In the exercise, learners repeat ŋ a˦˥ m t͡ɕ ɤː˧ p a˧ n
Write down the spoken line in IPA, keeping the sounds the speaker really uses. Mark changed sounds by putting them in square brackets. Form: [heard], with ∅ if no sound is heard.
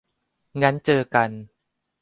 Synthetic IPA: ŋ a˦˥ [n] t͡ɕ ɤː˧ [k] a˧ n